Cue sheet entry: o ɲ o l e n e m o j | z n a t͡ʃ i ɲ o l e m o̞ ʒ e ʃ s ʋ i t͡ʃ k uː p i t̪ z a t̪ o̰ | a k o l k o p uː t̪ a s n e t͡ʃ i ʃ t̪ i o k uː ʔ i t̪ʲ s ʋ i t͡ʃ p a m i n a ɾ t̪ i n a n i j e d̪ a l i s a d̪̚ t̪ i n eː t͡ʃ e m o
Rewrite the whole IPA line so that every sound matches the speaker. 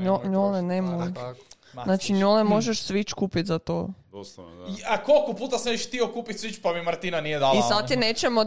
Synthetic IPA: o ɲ o l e n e m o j | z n a t͡ʃ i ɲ o l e m o̞ ʒ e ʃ s ʋ i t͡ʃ k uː p i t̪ z a t̪ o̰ | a k o l k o p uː t̪ a s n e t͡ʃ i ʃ t̪ i o k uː p i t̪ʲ s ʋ i t͡ʃ p a m i m a ɾ t̪ i n a n i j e d̪ a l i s a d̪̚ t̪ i n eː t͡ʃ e m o